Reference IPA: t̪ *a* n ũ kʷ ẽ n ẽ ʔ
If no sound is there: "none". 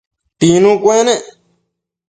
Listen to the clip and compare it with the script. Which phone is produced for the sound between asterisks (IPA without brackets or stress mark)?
i